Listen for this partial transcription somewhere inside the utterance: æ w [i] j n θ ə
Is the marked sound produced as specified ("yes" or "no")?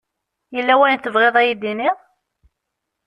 no